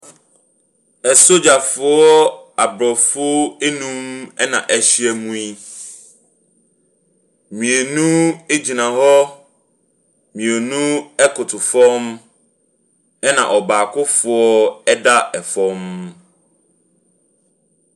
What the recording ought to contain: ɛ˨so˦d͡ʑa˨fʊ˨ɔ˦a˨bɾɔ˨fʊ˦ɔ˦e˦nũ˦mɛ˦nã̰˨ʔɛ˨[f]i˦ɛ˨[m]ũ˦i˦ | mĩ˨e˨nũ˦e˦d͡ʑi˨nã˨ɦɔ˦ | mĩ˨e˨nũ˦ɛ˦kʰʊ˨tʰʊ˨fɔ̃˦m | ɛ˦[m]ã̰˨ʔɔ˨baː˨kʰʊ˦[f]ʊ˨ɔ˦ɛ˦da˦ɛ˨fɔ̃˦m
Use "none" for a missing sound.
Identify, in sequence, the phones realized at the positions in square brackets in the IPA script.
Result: ɕ, m, n, f

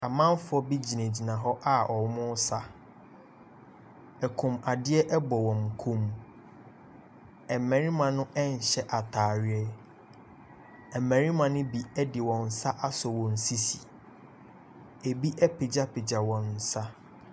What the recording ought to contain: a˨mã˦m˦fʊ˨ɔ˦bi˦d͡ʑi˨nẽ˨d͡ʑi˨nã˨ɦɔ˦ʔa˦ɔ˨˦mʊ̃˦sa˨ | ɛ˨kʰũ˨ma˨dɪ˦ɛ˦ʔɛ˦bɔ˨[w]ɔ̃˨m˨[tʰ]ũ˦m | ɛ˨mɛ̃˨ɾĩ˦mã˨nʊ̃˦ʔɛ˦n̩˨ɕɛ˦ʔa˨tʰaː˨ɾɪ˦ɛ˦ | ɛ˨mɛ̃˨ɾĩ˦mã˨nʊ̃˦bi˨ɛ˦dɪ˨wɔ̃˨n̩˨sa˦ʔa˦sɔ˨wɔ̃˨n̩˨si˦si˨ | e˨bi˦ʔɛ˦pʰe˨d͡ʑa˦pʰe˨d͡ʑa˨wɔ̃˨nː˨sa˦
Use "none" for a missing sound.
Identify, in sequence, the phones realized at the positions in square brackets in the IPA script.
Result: w, kʰ

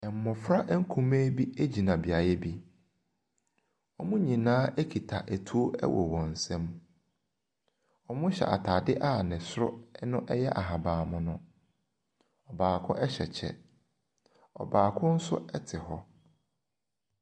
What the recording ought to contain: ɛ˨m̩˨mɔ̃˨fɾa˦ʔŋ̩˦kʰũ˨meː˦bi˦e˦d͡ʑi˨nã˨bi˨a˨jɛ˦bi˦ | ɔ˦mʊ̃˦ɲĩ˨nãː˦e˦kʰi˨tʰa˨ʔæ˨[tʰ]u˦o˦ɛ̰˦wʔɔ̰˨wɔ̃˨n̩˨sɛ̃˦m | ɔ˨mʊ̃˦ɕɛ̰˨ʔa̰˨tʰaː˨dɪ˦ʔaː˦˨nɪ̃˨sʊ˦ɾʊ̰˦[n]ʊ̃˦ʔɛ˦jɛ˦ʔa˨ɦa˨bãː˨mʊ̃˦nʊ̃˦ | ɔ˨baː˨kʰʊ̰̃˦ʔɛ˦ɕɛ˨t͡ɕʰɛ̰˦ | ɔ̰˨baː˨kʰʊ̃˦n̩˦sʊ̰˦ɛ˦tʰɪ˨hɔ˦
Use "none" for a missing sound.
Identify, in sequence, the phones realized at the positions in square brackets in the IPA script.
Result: tʰ, n

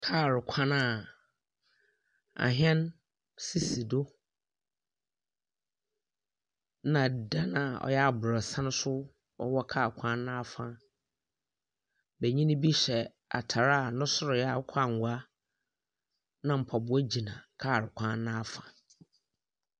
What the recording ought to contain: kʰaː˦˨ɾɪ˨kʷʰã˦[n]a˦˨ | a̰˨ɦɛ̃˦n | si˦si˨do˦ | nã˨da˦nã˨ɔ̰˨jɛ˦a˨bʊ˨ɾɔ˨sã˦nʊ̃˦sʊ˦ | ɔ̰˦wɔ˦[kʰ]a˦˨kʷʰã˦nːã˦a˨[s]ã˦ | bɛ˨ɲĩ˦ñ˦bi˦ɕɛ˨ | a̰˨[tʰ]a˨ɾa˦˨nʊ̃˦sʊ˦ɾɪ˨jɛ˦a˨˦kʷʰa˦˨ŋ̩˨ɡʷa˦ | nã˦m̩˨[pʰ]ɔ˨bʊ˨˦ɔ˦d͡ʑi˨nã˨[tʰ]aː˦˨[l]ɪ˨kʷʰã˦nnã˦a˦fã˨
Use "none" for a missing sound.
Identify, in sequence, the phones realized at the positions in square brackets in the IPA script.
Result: n, kʰ, f, tʰ, pʰ, kʰ, ɾ

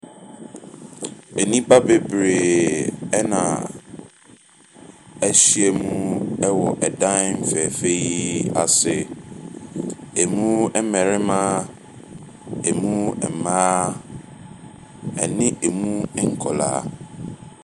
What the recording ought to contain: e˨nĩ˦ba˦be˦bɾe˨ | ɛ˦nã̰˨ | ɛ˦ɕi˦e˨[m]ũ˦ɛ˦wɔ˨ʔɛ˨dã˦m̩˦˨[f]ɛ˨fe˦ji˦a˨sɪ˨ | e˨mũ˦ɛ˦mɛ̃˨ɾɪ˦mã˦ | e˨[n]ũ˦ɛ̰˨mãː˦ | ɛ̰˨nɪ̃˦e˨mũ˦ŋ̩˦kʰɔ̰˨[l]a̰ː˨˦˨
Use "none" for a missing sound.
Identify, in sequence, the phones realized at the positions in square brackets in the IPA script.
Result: m, f, m, l

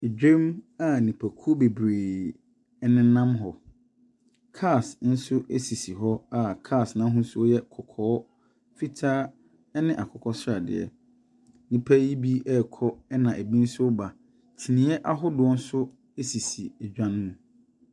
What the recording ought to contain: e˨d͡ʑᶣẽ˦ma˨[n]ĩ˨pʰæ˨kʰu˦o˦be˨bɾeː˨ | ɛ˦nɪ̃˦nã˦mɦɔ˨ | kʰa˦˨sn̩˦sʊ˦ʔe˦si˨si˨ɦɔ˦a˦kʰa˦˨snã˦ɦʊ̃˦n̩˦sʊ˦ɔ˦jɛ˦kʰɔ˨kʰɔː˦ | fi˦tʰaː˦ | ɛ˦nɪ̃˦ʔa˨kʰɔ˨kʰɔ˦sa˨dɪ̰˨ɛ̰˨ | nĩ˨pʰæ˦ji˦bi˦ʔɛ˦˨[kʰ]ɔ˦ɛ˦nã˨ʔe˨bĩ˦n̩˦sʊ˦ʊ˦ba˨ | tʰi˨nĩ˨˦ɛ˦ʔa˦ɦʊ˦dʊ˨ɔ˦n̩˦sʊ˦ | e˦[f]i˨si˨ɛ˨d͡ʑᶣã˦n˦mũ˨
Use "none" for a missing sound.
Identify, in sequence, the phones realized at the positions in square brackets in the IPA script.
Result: n, kʰ, s

